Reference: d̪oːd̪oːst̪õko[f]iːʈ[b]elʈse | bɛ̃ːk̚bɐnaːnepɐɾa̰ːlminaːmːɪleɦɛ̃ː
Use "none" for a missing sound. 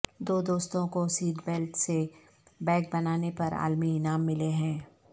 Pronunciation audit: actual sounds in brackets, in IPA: s, b

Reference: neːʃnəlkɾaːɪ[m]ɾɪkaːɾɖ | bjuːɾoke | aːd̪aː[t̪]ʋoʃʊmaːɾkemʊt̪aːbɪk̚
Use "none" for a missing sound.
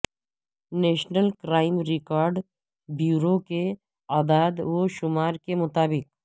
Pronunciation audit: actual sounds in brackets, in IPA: m, d̪

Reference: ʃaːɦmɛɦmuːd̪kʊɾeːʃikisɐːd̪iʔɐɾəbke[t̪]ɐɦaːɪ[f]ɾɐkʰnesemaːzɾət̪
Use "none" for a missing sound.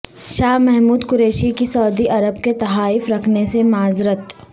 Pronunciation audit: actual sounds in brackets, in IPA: t̪, f

